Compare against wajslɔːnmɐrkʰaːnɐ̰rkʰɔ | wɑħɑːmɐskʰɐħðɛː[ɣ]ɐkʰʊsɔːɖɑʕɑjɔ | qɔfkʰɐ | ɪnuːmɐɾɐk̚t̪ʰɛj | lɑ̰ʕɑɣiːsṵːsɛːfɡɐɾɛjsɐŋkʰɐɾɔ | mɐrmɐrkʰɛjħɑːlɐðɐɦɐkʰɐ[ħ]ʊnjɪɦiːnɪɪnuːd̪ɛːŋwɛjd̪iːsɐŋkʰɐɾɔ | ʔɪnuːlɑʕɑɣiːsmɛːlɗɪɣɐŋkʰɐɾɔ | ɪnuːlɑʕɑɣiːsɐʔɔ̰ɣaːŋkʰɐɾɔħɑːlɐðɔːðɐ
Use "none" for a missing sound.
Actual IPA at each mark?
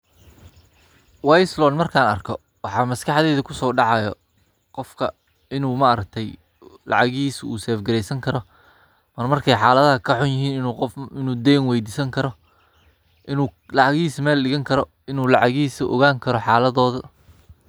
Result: ð, ħ

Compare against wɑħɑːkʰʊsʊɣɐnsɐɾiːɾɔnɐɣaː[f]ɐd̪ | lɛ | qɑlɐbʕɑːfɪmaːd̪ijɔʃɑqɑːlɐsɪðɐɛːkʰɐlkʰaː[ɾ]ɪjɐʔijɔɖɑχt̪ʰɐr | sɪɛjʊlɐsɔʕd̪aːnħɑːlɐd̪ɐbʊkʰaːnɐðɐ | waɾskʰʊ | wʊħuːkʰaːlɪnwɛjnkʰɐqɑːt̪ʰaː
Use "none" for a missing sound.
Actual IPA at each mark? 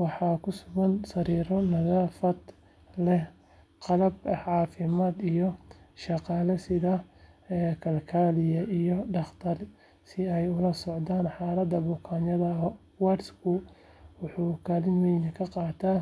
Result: f, l

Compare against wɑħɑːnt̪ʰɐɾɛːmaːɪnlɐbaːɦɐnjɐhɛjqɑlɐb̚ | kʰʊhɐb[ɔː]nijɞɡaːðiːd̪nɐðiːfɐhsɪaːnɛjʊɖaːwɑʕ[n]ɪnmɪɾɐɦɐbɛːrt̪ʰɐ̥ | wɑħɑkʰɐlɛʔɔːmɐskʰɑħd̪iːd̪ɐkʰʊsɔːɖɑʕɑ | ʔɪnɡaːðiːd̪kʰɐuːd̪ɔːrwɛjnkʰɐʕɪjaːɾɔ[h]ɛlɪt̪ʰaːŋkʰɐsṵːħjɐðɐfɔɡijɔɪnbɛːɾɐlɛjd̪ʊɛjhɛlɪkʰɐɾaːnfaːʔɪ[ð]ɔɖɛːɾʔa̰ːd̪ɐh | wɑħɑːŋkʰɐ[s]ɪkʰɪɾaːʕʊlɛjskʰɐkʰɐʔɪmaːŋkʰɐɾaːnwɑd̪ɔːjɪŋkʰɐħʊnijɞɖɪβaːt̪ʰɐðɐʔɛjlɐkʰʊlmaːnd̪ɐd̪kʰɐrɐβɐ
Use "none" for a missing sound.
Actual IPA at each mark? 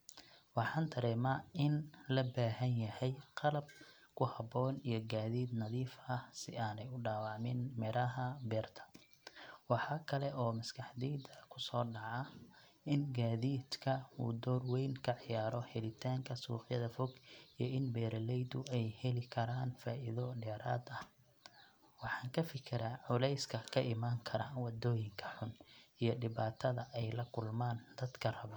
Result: ɔː, m, h, ð, f

